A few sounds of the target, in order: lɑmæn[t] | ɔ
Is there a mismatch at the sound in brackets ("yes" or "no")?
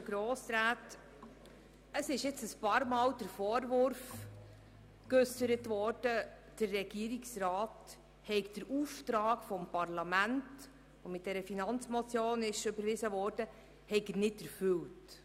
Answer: no